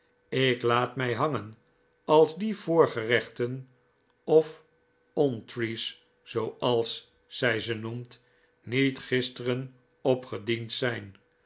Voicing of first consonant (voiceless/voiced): voiceless